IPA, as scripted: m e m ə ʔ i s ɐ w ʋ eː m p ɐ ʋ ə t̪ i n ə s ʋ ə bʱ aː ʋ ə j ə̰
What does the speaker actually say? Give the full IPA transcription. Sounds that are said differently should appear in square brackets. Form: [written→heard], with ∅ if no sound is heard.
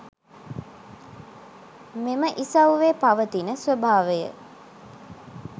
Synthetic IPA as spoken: m e m ə ʔ i s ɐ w ʋ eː [m→∅] p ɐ ʋ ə t̪ i n ə s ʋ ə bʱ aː ʋ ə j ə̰